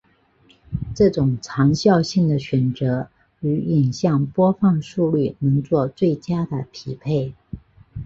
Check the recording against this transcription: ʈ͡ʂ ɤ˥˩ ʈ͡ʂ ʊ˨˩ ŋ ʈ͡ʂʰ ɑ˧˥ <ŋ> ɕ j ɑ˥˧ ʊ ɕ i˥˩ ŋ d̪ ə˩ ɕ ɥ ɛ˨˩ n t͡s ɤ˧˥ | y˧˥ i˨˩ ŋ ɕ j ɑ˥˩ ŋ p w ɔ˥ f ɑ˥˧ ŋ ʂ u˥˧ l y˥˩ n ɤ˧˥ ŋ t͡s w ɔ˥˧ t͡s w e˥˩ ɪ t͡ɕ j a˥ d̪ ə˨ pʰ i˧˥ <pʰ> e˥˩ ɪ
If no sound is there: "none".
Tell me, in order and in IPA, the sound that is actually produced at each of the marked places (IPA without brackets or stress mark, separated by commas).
ŋ, pʰ